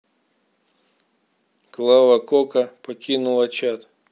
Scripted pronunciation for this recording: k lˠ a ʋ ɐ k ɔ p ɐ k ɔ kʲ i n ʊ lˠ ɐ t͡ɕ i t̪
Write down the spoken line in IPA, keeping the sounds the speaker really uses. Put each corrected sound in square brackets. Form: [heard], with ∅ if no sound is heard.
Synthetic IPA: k lˠ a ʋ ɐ k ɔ [k] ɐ [p] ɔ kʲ i n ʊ lˠ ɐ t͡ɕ [a] t̪